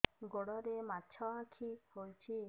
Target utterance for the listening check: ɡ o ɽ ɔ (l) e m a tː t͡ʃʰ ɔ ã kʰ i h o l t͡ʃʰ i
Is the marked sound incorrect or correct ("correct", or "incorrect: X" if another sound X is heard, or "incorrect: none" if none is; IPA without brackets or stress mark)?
incorrect: ɾ